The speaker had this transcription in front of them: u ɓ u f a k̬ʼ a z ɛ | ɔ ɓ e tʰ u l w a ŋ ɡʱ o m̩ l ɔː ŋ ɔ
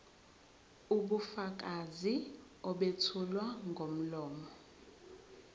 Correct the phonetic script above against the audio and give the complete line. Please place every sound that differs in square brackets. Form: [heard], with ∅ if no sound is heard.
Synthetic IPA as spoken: u ɓ u f a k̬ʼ a z [i] | ɔ ɓ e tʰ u l w a ŋ ɡʱ o m̩ l ɔː [m] ɔ